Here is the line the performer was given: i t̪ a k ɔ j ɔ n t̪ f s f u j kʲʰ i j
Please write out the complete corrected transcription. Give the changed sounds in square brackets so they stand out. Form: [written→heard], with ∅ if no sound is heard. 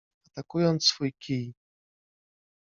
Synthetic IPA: [i→a] t̪ a k [ɔ→u] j ɔ n t̪ [f→s] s f u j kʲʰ i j

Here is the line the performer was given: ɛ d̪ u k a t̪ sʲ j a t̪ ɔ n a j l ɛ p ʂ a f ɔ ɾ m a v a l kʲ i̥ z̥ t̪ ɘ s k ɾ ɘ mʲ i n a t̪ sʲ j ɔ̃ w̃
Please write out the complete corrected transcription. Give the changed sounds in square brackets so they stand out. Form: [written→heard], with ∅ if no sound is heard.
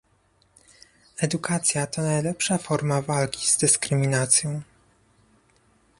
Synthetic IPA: ɛ d̪ u k a t̪ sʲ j a t̪ ɔ n a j l ɛ p ʂ a f ɔ ɾ m a v a l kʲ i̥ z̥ [t̪→d̪] ɘ s k ɾ ɘ mʲ i n a t̪ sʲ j ɔ̃ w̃

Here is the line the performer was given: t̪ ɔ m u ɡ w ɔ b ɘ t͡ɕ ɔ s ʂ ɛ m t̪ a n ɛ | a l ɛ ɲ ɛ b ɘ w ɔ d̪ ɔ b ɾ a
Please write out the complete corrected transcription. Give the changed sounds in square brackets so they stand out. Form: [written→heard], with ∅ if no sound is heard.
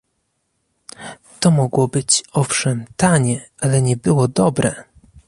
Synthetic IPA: t̪ ɔ m [u→ɔ] ɡ w ɔ b ɘ t͡ɕ ɔ [s→f] ʂ ɛ m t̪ a [n→ɲ] ɛ | a l ɛ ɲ ɛ b ɘ w ɔ d̪ ɔ b ɾ [a→ɛ]

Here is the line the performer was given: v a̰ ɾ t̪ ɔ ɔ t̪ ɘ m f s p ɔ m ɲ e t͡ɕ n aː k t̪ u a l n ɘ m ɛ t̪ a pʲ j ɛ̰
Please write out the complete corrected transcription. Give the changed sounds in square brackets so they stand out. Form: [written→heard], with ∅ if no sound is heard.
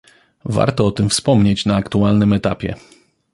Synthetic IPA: v a̰ ɾ t̪ ɔ ɔ t̪ ɘ m f s p ɔ m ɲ e t͡ɕ n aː k t̪ u a l n ɘ m ɛ t̪ a pʲ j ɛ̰

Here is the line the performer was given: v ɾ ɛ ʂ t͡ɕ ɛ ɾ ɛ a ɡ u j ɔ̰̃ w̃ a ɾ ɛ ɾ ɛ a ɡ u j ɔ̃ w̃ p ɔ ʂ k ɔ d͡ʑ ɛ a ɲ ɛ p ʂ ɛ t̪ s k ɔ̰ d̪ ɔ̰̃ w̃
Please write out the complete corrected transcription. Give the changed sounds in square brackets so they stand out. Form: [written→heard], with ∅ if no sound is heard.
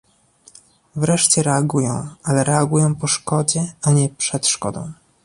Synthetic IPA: v ɾ ɛ ʂ t͡ɕ ɛ ɾ ɛ a ɡ u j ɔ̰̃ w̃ a [ɾ→l] ɛ ɾ ɛ a ɡ u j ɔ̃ w̃ p ɔ ʂ k ɔ d͡ʑ ɛ a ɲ ɛ p ʂ ɛ t̪ [s→ʂ] k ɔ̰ d̪ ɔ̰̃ w̃

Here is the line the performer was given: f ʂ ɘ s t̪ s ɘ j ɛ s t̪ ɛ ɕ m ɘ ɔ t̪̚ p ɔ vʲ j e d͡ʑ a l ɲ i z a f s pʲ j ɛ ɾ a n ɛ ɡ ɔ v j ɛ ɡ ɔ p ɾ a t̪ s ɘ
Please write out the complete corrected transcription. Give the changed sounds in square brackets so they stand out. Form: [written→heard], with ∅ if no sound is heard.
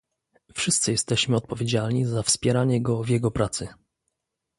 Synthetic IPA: f ʂ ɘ s t̪ s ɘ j ɛ s t̪ ɛ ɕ m ɘ ɔ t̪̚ p ɔ vʲ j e d͡ʑ a l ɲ i z a f s pʲ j ɛ ɾ a [n→ɲ] ɛ ɡ ɔ v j ɛ ɡ ɔ p ɾ a t̪ s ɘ

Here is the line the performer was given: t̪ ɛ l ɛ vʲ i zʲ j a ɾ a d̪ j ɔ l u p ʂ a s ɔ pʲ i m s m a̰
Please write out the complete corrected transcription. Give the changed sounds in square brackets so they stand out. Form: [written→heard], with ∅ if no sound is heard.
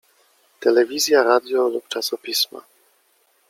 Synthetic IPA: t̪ ɛ l ɛ vʲ i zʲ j a ɾ a d̪ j ɔ l u p [ʂ→t͡ʂ] a s ɔ pʲ i [m→∅] s m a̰

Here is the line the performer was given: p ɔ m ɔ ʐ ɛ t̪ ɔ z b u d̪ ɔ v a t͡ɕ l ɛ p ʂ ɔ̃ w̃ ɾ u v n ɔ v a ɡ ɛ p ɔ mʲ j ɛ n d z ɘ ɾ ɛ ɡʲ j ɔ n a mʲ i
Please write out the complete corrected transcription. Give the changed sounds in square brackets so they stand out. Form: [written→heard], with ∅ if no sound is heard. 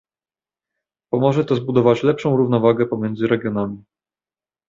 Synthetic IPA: p ɔ m ɔ ʐ ɛ t̪ ɔ z b u d̪ ɔ v a t͡ɕ l ɛ p ʂ ɔ̃ w̃ ɾ u v n ɔ v a ɡ ɛ p ɔ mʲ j ɛ n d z ɘ ɾ ɛ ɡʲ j ɔ n a mʲ i

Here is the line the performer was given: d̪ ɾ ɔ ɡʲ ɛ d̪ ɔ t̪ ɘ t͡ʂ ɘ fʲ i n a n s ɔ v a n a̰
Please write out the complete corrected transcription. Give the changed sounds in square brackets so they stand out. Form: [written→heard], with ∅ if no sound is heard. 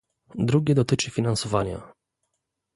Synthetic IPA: d̪ ɾ [ɔ→u] ɡʲ ɛ d̪ ɔ t̪ ɘ t͡ʂ ɘ fʲ i n a n s ɔ v a [n→ɲ] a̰

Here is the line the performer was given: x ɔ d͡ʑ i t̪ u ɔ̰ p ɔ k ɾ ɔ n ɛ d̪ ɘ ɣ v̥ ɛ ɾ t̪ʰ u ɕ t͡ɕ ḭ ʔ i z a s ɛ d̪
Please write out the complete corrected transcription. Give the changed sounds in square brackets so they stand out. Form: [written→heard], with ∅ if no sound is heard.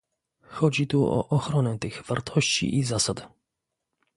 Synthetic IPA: x ɔ d͡ʑ i t̪ u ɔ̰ [p→ʔ] ɔ [k→x] ɾ ɔ n ɛ [d̪→t̪] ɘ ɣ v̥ [ɛ→a] ɾ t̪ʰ [u→ɔ] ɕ t͡ɕ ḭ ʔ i z a s [ɛ→a] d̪

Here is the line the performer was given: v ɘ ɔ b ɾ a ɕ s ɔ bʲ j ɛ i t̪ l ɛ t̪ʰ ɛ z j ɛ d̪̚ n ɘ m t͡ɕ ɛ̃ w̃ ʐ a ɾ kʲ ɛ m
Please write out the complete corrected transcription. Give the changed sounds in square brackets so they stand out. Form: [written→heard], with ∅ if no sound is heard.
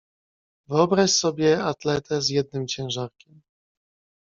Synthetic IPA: v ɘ ɔ b ɾ a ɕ s ɔ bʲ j ɛ [i→a] t̪ l ɛ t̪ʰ ɛ z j ɛ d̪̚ n ɘ m t͡ɕ ɛ̃ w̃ ʐ a ɾ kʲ ɛ m

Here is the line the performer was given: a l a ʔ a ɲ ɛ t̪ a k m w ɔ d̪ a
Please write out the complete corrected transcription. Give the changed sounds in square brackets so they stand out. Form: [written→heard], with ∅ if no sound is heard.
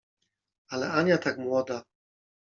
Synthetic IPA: a l [a→ɛ] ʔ a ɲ [ɛ→a] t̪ a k m w ɔ d̪ a

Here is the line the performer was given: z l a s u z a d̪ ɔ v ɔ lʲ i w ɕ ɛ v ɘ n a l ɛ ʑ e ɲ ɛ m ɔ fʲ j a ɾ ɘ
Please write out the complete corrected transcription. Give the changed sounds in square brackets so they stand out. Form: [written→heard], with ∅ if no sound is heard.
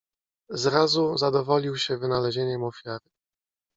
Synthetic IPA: z [l→ɾ] a [s→z] u z a d̪ ɔ v ɔ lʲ i w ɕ ɛ v ɘ n a l ɛ ʑ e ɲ ɛ m ɔ fʲ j a ɾ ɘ

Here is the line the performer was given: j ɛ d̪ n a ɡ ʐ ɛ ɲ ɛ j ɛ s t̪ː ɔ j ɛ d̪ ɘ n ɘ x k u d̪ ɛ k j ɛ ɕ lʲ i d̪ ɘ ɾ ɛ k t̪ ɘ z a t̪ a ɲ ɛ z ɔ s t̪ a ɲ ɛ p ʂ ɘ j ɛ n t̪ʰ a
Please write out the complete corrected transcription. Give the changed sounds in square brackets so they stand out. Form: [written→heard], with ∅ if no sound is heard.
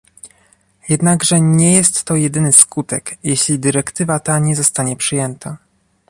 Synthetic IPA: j ɛ d̪ n a ɡ ʐ ɛ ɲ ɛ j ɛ s t̪ː ɔ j ɛ d̪ ɘ n ɘ [x→s] k u [d̪→t̪] ɛ k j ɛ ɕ lʲ i d̪ ɘ ɾ ɛ k t̪ ɘ [z→v] a t̪ a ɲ ɛ z ɔ s t̪ a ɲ ɛ p ʂ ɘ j ɛ n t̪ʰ a

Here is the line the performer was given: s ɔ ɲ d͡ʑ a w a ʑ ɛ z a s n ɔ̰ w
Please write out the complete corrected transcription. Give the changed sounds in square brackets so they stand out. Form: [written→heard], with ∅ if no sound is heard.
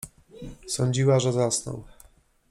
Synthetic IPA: s ɔ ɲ d͡ʑ [a→i] w a [ʑ→ʐ] ɛ z a s n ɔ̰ w

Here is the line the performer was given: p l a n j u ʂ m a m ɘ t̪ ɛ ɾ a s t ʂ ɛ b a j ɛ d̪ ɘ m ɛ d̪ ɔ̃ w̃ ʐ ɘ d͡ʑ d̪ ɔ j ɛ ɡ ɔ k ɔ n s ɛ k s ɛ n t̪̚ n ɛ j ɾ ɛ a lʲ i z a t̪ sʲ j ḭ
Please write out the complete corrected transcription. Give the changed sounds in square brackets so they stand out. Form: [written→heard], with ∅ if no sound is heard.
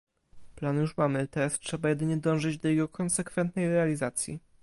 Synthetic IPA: p l a n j u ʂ m a m ɘ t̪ ɛ ɾ a s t ʂ ɛ b a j ɛ d̪ ɘ [m→ɲ] ɛ d̪ ɔ̃ w̃ ʐ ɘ d͡ʑ d̪ ɔ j ɛ ɡ ɔ k ɔ n s ɛ k [s→f] ɛ n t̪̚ n ɛ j ɾ ɛ a lʲ i z a t̪ sʲ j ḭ

